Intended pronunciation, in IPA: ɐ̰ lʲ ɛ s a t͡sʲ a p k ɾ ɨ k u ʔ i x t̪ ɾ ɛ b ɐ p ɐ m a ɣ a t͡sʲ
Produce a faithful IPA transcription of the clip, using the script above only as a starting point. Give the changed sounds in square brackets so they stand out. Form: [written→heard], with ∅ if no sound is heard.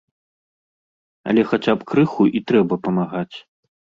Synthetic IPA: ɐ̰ lʲ ɛ [s→x] a t͡sʲ a p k ɾ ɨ [k→x] u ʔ i [x→∅] t̪ ɾ ɛ b ɐ p ɐ m a ɣ a t͡sʲ